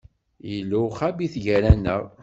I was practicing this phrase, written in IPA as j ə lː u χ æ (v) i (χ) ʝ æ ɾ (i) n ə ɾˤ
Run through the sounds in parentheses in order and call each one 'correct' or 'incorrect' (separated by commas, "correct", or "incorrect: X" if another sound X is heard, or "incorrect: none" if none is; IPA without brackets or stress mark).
incorrect: b, incorrect: θ, incorrect: æ